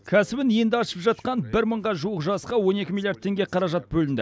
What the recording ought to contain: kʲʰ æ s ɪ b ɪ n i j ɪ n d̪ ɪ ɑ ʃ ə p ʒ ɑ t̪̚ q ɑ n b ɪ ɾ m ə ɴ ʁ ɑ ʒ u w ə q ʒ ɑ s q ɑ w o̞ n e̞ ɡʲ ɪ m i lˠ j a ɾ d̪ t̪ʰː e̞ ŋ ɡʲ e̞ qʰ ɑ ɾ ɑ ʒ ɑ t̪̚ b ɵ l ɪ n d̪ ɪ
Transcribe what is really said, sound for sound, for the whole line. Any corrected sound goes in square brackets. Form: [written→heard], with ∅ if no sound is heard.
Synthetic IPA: kʲʰ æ s ɪ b ɪ n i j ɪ n d̪ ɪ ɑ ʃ ə p ʒ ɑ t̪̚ q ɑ n b ɪ ɾ m ə ɴ ʁ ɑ ʒ u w ə q ʒ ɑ s q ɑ w o̞ n e̞ [ɡʲ→kʲ] ɪ m i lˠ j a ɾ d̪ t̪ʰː e̞ ŋ ɡʲ e̞ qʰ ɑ ɾ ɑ ʒ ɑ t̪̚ b ɵ l ɪ n d̪ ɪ